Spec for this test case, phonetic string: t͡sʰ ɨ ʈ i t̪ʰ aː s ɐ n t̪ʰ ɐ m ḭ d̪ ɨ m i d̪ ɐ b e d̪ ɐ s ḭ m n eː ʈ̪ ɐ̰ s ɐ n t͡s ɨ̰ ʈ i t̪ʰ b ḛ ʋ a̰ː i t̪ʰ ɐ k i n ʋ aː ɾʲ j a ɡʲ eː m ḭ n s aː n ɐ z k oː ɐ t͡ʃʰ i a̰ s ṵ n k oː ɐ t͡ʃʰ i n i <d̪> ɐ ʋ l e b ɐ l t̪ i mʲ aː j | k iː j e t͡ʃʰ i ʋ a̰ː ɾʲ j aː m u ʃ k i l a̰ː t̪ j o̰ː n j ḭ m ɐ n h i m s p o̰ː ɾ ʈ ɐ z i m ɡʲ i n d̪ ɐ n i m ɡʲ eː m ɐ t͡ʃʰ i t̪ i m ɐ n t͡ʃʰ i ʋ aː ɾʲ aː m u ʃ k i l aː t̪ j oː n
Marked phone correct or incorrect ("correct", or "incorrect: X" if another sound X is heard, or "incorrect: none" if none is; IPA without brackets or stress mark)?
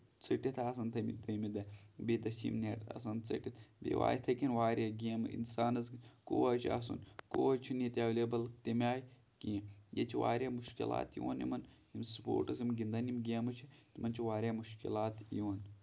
incorrect: t̪